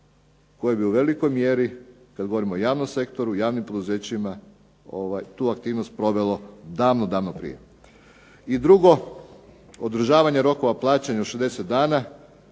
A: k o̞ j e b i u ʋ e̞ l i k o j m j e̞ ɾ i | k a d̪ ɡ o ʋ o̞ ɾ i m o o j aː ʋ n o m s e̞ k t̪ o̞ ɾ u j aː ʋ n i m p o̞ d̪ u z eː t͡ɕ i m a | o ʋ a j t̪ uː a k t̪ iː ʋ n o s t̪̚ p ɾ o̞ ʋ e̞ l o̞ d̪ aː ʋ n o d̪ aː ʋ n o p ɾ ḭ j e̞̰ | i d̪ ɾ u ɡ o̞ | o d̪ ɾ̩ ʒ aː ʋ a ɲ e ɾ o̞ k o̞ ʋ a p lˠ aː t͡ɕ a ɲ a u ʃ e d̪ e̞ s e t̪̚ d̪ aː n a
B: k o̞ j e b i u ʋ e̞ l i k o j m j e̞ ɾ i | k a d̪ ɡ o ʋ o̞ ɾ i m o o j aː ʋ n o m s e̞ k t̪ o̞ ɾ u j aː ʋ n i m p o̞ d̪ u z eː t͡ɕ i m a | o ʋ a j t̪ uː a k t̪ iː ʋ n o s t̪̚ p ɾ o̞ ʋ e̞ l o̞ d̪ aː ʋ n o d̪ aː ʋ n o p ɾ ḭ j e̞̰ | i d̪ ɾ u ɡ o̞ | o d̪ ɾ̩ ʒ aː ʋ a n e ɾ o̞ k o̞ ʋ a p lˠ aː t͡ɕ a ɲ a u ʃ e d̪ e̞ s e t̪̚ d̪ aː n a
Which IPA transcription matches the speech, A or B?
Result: A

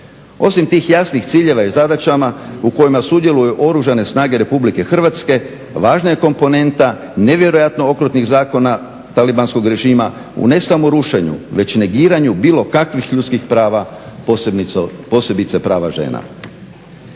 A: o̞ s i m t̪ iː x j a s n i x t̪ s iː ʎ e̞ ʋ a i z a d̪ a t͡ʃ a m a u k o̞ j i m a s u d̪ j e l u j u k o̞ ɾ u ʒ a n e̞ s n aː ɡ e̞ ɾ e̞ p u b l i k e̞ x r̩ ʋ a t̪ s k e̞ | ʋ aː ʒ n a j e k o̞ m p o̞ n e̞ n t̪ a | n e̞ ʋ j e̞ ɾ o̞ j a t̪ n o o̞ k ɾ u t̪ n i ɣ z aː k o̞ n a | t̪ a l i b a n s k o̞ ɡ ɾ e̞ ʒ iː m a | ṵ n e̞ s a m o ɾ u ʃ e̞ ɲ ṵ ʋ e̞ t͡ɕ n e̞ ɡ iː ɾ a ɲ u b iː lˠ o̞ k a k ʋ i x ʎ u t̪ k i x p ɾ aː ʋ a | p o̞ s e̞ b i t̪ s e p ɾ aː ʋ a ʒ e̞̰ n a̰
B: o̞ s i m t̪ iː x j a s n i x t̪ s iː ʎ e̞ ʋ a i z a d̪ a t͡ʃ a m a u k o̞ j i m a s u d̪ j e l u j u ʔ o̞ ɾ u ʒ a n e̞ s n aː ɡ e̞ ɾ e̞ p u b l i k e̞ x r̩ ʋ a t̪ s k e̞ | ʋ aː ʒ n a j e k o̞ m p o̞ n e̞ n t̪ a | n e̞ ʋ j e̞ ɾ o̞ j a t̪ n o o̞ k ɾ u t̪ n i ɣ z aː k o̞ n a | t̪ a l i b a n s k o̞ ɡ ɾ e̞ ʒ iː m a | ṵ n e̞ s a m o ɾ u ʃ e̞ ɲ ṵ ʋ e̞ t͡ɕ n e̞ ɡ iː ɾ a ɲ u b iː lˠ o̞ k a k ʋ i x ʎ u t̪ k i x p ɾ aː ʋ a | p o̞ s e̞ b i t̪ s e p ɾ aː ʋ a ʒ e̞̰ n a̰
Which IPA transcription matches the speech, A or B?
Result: B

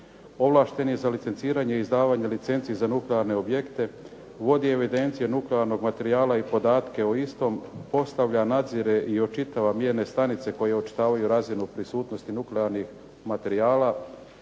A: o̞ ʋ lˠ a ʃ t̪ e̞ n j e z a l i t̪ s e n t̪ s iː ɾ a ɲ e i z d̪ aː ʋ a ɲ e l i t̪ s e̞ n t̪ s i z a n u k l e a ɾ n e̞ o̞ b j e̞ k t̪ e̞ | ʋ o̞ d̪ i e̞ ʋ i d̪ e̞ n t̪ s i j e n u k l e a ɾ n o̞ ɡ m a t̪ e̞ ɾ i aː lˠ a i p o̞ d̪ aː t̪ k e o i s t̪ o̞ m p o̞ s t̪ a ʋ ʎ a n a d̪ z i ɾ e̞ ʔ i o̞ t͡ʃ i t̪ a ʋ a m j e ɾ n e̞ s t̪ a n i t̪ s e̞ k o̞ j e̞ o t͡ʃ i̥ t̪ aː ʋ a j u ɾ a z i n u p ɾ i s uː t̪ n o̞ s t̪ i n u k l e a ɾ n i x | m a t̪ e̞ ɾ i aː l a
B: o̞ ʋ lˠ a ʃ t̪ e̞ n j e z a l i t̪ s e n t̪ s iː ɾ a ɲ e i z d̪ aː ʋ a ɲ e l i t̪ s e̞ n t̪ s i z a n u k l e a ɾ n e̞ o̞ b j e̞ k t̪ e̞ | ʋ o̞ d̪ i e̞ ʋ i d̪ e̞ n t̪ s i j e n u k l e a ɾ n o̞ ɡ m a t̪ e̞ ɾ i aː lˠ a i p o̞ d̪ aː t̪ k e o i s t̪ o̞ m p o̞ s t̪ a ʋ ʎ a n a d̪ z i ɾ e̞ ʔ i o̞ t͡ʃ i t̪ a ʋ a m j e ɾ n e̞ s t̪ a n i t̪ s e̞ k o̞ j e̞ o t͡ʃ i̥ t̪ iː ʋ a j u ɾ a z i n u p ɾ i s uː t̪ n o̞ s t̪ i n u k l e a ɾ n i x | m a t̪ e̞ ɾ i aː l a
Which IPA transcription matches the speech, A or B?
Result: A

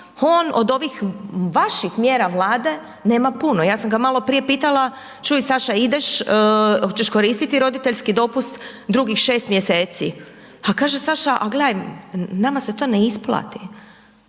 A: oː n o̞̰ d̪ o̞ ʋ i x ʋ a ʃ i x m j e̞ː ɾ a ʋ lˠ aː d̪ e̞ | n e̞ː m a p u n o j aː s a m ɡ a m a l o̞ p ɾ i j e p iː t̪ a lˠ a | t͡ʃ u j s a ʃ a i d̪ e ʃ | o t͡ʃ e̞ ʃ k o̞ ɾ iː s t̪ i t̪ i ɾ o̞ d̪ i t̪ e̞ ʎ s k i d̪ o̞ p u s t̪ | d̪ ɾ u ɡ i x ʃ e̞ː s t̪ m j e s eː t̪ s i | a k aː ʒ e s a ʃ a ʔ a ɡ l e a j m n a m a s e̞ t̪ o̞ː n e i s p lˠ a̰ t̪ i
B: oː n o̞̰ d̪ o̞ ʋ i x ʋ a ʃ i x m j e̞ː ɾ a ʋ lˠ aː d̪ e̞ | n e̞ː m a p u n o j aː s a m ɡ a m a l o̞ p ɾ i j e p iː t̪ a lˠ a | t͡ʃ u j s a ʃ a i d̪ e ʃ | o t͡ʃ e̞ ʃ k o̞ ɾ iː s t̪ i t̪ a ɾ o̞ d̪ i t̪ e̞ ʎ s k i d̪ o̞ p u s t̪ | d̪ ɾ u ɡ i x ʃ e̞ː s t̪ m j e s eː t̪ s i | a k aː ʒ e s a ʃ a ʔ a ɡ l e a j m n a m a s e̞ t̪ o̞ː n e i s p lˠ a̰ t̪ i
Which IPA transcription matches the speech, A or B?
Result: A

